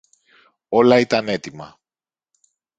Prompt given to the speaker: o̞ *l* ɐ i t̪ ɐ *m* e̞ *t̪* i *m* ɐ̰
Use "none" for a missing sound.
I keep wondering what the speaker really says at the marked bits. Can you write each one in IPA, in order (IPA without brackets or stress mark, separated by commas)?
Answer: l, n, t̪, m